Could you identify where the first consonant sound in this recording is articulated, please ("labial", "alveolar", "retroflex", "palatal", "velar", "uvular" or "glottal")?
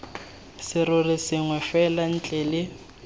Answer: alveolar